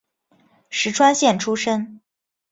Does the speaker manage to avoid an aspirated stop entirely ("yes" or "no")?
no